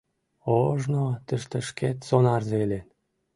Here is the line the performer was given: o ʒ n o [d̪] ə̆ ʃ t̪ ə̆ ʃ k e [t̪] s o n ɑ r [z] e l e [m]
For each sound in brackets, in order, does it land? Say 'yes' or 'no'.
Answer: no, yes, yes, no

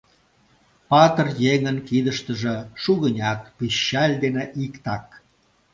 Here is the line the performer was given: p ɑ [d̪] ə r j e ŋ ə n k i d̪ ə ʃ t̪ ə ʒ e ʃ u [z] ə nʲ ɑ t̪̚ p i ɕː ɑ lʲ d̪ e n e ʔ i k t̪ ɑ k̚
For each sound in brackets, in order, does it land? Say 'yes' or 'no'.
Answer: no, no

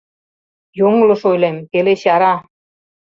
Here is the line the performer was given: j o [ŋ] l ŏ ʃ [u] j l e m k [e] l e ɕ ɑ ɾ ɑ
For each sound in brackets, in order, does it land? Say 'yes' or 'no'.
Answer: yes, no, yes

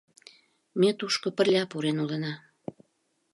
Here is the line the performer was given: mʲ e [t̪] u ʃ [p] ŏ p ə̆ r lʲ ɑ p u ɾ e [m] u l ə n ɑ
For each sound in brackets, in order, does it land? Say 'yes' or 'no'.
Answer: yes, no, no

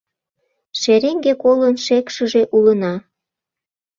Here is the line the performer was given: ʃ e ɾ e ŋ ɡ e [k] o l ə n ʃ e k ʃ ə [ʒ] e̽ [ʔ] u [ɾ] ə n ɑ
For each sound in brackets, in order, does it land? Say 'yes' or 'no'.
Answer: yes, yes, yes, no

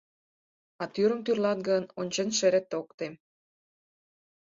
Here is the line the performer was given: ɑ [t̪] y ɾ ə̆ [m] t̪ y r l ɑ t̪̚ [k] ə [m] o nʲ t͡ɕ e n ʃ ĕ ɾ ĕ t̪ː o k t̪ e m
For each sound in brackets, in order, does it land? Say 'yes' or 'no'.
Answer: yes, yes, no, no

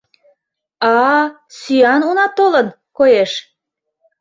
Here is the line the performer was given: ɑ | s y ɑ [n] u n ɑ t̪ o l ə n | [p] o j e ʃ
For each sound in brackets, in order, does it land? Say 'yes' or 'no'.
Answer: yes, no

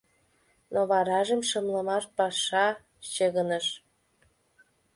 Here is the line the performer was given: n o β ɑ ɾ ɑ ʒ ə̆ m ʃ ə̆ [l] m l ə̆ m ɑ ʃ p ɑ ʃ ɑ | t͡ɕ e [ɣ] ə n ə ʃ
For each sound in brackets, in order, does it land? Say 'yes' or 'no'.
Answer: no, yes

